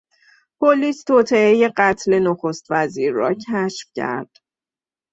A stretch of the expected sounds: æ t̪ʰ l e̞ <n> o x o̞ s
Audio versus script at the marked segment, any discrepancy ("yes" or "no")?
no